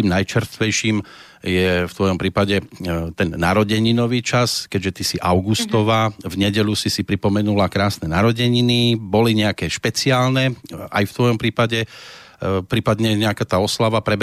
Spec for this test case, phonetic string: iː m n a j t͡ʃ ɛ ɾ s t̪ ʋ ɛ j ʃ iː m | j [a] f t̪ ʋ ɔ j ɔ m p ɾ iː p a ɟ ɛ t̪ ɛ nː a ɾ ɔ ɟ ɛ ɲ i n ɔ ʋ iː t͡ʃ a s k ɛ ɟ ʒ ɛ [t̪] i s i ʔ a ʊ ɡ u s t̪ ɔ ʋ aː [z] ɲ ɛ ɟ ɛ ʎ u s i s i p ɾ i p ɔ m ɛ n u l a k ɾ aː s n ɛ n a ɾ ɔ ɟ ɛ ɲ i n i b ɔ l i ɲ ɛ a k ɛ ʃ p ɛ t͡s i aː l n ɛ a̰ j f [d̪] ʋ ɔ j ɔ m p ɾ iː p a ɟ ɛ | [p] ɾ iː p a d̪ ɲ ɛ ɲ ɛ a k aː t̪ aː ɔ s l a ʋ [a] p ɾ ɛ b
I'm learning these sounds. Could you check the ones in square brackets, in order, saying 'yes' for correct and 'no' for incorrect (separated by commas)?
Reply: no, yes, no, no, yes, yes